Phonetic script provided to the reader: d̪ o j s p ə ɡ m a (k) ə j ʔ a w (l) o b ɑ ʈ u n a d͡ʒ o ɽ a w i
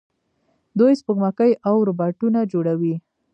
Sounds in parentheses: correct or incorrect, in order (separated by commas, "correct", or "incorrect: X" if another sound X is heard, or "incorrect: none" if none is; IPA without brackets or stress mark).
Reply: correct, incorrect: ɾ